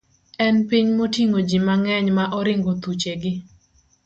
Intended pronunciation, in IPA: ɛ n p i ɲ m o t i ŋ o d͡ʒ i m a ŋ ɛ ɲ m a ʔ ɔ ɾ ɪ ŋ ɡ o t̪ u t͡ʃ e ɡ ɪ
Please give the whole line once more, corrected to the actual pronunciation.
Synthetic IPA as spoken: ɛ n p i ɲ m o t i ŋ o d͡ʒ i m a ŋ ɛ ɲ m a ʔ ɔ ɾ ɪ ŋ ɡ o t̪ u t͡ʃ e ɡ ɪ